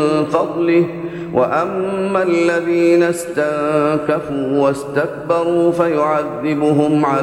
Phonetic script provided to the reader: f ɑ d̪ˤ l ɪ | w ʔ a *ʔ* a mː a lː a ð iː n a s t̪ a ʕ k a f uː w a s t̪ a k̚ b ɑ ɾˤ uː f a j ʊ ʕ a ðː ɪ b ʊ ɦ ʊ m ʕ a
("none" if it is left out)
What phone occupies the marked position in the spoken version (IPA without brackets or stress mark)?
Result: ʔ